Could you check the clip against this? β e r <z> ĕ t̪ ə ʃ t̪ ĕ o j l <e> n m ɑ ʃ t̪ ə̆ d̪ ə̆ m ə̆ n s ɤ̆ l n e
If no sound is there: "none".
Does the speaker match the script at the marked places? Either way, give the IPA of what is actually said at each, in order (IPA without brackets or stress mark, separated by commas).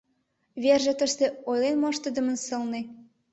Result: ʒ, e